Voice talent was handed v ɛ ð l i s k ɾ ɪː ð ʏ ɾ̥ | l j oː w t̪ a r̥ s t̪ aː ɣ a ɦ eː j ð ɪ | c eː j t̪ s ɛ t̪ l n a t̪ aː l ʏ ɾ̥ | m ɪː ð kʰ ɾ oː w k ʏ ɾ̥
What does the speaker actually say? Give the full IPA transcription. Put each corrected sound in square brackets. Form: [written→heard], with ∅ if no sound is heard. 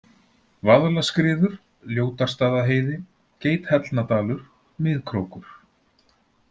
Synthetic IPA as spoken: v [ɛ→a] ð l [i→a] s k ɾ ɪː ð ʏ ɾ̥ | l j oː w t̪ a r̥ s t̪ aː [ɣ→ð] a ɦ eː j ð ɪ | c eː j t̪ [s→h] ɛ t̪ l n a t̪ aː l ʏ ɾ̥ | m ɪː ð kʰ ɾ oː w k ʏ ɾ̥